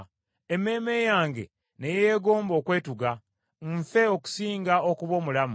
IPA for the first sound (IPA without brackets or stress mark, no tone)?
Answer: e